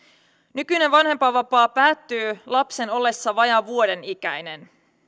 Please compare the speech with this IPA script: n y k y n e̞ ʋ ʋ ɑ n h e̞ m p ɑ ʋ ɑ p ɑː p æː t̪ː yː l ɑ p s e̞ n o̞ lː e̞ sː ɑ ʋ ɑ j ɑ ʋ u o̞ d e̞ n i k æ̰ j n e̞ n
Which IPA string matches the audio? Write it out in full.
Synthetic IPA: n y k y n e̞ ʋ ʋ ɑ n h e̞ m p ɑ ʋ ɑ p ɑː p æː t̪ː yː l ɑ p s e̞ n o̞ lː e̞ sː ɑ ʋ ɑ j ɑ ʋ u o̞ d e̞ n i k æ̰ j n e̞ n